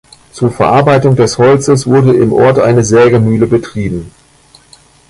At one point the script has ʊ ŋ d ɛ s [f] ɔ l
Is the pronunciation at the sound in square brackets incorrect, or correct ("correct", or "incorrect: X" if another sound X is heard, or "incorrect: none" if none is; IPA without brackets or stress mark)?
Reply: incorrect: h